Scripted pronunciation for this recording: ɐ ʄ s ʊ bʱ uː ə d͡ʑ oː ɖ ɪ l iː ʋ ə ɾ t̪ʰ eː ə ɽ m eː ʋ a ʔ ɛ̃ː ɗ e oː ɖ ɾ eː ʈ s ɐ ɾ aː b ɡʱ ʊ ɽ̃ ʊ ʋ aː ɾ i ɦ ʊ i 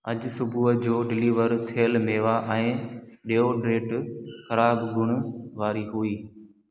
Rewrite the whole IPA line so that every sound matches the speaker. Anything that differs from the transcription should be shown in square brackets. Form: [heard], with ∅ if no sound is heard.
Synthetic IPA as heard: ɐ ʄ s ʊ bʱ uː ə d͡ʑ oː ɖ ɪ l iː ʋ ə ɾ t̪ʰ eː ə [l] m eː ʋ a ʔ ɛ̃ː ɗ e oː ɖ ɾ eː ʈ [x] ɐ ɾ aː b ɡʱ ʊ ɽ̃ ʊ ʋ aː ɾ i ɦ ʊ [iː]